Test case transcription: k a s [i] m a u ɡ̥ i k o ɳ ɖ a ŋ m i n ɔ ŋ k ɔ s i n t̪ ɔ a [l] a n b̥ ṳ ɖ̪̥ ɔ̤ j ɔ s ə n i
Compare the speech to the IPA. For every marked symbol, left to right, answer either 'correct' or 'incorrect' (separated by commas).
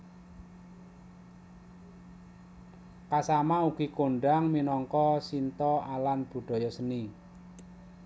incorrect, correct